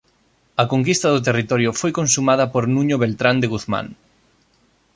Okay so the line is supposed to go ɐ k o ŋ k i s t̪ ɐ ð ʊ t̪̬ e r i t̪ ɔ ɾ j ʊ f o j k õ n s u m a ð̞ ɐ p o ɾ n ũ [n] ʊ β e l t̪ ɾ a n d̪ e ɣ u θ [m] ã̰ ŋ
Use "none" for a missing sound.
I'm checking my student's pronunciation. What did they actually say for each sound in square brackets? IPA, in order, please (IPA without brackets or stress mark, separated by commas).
ɲ, m